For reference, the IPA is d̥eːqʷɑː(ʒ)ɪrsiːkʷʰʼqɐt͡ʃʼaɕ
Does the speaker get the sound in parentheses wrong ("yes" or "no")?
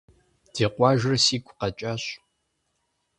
no